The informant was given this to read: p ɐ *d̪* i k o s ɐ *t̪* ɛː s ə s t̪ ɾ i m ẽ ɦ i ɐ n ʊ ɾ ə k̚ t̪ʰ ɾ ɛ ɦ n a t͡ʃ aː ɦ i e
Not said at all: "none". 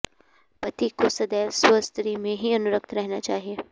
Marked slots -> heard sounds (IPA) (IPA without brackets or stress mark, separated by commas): t̪, d̪